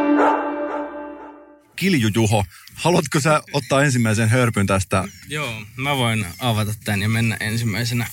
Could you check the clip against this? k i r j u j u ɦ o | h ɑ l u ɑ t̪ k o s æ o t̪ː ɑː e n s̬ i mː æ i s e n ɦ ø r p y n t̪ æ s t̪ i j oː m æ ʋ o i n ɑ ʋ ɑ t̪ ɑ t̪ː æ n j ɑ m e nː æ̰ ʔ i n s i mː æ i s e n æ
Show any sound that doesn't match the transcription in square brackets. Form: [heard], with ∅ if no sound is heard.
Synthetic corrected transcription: k i [l] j u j u ɦ o | h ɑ l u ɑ t̪ k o s æ o t̪ː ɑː e n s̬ i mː æ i s e n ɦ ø r p y n t̪ æ s t̪ [æ] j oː m æ ʋ o i n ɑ ʋ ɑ t̪ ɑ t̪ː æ n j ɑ m e nː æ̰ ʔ [e] n s i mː æ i s e n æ